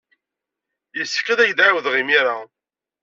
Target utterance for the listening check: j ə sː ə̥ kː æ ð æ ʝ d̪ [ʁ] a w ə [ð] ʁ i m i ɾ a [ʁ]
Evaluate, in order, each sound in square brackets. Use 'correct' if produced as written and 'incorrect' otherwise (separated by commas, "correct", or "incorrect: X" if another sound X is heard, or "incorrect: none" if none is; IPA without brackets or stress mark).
incorrect: ʕ, correct, incorrect: none